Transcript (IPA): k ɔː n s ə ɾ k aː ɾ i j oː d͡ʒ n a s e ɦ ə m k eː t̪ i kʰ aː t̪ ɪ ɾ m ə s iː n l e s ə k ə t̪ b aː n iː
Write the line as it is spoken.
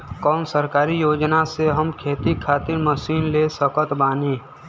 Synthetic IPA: k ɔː n s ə ɾ k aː ɾ i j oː d͡ʒ n a s e ɦ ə m kʰ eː t̪ i kʰ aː t̪ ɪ ɾ m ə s iː n l e s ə k ə t̪ b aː n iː

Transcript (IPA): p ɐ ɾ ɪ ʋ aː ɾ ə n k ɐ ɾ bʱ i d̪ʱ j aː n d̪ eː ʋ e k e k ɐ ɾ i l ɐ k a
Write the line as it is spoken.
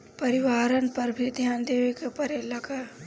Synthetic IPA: p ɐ ɾ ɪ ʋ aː ɾ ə n p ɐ ɾ bʱ i d̪ʱ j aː n d̪ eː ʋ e k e p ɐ ɾ e l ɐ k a

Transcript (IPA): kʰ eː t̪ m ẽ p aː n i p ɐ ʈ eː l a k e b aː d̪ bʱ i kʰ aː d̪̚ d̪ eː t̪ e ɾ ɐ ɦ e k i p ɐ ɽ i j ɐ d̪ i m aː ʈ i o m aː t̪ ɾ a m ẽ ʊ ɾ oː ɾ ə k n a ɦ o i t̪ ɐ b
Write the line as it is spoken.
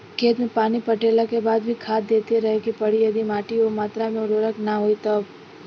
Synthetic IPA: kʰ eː t̪ m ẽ p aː n i p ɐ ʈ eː l a k e b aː d̪ bʱ i kʰ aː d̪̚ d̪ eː t̪ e ɾ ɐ ɦ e k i p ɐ ɽ i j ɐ d̪ i m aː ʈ i o m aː t̪ ɾ a m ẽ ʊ ɾ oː ɾ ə k n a ɦ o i t̪ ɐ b

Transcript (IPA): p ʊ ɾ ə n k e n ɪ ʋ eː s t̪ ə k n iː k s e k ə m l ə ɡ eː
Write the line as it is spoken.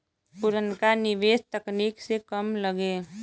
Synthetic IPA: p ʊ ɾ ə n k a n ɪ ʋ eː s t̪ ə k n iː k s e k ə m l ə ɡ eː

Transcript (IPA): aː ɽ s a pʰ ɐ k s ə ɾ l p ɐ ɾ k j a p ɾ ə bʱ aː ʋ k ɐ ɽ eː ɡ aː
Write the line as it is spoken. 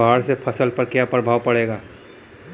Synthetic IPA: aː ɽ s e pʰ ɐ s ə l p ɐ ɾ k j a p ɾ ə bʱ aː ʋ p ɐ ɽ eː ɡ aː

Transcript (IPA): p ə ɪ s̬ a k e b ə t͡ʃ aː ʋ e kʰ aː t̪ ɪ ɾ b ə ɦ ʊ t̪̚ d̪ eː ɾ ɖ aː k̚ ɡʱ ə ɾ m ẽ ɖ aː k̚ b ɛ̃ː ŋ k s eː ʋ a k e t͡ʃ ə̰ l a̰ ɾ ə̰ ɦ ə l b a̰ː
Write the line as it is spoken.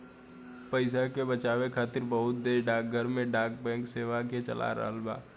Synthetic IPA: p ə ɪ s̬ a k e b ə t͡ʃ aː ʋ e kʰ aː t̪ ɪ ɾ b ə ɦ ʊ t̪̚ d̪ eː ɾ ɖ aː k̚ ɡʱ ə ɾ m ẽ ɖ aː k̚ b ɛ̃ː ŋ k s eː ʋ a k e t͡ʃ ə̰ l a̰ ɾ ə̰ ɦ ə l b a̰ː

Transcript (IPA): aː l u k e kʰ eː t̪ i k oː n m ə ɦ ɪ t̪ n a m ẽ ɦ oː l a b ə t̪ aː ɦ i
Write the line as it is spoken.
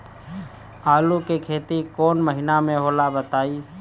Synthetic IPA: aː l u k e kʰ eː t̪ i k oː n m ə ɦ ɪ n a m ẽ ɦ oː l a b ə t̪ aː i

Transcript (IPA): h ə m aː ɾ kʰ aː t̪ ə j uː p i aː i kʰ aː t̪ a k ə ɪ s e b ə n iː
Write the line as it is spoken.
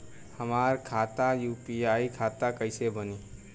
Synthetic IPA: h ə m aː ɾ kʰ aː t̪ a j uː p i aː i kʰ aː t̪ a k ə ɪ s e b ə n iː

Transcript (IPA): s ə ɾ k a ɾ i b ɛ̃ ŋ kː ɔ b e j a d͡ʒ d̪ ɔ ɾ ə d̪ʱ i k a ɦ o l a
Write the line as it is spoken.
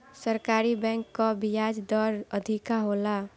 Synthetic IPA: s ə ɾ k a ɾ i b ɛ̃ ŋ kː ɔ b i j a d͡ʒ d̪ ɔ ɾ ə d̪ʱ i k a ɦ o l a

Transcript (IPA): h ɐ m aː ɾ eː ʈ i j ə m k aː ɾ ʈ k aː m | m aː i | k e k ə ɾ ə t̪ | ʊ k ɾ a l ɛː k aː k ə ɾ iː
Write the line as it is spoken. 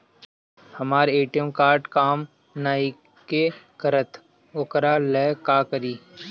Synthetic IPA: h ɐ m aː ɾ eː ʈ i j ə m k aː ɾ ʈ k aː m | n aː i | k e k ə ɾ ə t̪ | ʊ k ɾ a l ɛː k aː k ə ɾ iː

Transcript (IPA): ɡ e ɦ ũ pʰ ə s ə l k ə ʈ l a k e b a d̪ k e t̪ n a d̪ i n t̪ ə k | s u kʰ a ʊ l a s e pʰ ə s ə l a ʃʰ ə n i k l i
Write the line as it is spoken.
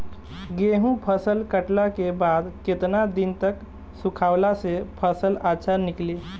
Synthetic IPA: ɡ e ɦ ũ pʰ ə s ə l k ə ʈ l a k e b a d̪ k e t̪ n a d̪ i n t̪ ə k | s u kʰ a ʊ l a s e pʰ ə s ə l a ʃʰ a n i k l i

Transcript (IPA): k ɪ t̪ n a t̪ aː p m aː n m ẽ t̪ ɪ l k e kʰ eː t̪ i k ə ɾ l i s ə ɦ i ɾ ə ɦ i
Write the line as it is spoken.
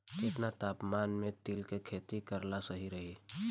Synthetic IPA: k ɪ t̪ n a t̪ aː p m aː n m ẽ t̪ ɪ l k e kʰ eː t̪ i k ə ɾ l a s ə ɦ i ɾ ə ɦ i

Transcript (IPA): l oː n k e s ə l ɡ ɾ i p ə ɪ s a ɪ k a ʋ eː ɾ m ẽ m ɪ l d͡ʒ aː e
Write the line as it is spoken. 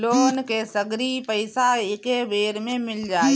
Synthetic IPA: l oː n k e s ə ɡ ɾ i p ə ɪ s a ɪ k e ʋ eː ɾ m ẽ m ɪ l d͡ʒ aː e

